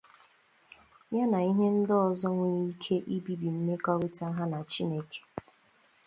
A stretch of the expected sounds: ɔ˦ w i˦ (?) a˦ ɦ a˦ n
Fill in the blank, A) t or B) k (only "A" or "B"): A